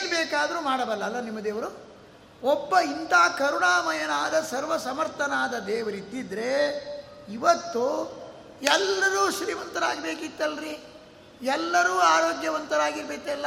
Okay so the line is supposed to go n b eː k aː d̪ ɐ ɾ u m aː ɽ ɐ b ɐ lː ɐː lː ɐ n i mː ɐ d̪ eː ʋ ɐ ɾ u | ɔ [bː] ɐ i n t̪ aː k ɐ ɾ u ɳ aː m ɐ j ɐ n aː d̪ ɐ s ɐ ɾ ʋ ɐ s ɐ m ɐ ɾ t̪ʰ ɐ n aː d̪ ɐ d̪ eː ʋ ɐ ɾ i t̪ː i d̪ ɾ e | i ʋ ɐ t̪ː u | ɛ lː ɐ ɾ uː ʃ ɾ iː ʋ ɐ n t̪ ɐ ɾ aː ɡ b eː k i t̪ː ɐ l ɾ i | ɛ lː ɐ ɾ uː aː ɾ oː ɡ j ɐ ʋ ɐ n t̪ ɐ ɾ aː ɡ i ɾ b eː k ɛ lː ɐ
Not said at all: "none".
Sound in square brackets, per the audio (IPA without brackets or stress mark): bː